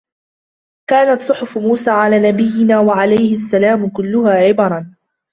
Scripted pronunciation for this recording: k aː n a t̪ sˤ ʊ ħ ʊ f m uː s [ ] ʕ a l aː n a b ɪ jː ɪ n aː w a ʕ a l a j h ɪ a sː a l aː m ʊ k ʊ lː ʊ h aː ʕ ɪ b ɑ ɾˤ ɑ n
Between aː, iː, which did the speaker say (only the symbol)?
aː